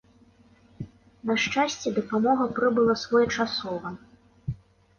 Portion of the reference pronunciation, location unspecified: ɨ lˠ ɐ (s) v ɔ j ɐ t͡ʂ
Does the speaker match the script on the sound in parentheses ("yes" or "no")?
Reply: yes